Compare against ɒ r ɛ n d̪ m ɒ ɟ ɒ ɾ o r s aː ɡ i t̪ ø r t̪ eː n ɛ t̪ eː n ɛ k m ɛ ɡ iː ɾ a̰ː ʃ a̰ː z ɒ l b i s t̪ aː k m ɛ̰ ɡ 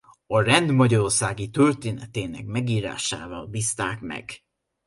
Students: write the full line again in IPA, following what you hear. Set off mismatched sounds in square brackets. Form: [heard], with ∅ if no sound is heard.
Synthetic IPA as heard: ɒ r ɛ n d̪ m ɒ ɟ ɒ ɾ o r s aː ɡ i t̪ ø r t̪ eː n ɛ t̪ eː n ɛ k m ɛ ɡ iː ɾ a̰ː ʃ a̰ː [v] ɒ l b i s t̪ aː k m ɛ̰ ɡ